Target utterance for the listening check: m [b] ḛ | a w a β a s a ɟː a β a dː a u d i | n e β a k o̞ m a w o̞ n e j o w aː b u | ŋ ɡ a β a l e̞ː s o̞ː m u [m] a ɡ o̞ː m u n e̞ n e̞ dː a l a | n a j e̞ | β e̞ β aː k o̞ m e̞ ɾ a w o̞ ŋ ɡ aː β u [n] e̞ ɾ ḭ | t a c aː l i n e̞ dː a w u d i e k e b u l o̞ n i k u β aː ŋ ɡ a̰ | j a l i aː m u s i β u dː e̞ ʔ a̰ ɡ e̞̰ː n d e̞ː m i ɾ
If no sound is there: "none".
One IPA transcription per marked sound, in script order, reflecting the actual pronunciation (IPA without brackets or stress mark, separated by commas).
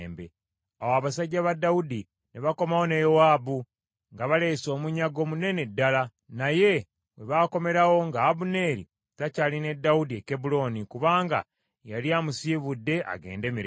b, ɲ, n